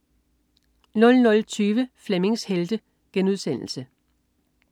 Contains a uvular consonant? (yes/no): no